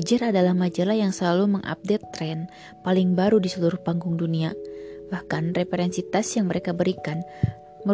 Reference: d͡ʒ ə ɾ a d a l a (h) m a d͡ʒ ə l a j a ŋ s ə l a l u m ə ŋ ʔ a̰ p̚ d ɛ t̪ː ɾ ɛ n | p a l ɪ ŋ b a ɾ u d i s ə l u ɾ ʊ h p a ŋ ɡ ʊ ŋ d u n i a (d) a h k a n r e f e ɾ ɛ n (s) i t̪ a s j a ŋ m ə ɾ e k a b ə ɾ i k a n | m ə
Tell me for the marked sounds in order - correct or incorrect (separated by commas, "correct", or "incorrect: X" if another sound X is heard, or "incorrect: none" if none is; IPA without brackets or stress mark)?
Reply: correct, incorrect: b, correct